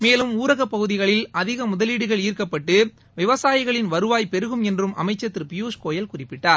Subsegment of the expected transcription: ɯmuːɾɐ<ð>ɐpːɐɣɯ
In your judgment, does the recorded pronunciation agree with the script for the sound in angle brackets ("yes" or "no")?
no